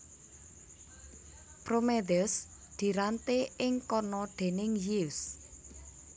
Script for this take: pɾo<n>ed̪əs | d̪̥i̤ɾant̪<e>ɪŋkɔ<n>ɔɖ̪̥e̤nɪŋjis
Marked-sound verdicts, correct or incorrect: incorrect: m, correct, correct

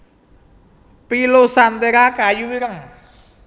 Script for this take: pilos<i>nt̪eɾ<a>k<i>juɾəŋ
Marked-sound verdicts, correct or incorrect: incorrect: a, correct, incorrect: a

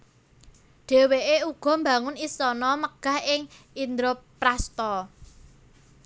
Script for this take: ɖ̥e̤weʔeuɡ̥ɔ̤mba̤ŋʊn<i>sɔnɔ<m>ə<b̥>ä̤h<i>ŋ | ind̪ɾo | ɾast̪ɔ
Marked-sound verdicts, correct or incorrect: correct, correct, incorrect: ɡ̥, incorrect: ɪ

